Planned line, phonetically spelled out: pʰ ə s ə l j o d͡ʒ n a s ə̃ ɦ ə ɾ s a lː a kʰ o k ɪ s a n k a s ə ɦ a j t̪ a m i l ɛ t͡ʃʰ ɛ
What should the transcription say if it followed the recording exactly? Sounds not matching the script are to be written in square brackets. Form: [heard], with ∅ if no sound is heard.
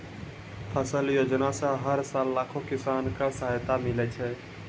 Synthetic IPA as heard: pʰ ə s ə l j o d͡ʒ n a s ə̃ ɦ ə ɾ s a lː a kʰ o k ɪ s a n k a s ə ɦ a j t̪ a m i l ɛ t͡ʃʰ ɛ